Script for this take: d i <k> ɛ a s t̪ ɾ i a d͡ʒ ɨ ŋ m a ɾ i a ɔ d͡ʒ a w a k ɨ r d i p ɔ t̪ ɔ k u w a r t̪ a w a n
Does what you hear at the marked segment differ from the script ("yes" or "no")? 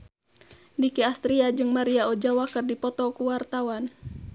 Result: no